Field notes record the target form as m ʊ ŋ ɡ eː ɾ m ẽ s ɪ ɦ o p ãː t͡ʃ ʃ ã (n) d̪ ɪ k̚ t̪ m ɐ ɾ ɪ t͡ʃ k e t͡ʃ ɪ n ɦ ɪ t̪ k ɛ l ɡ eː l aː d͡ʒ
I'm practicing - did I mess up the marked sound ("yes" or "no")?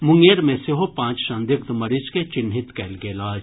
no